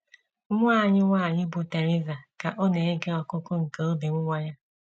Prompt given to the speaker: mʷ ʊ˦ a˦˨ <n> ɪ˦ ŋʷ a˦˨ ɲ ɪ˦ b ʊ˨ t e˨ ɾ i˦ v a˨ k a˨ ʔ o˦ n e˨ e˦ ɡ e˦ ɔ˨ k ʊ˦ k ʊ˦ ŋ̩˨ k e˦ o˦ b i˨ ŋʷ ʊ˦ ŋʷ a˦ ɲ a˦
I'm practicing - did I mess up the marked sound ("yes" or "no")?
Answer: yes